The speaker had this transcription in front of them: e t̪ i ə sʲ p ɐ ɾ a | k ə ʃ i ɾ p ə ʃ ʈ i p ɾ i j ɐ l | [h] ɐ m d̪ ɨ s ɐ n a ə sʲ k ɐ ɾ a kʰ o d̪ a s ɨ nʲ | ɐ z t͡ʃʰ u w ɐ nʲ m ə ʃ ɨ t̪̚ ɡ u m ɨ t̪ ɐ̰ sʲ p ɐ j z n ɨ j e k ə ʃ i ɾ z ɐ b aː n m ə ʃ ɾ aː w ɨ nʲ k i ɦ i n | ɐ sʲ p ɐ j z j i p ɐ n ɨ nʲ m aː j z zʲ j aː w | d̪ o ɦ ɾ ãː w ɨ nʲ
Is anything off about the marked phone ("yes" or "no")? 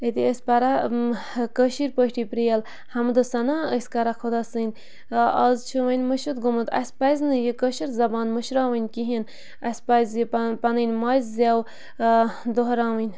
no